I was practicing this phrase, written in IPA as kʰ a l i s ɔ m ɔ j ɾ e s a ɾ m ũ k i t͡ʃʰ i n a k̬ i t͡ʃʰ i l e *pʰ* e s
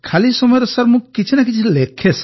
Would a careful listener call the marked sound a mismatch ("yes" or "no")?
yes